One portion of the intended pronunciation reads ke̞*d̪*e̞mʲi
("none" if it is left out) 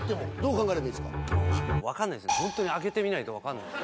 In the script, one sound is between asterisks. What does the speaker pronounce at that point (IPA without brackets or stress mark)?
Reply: t̪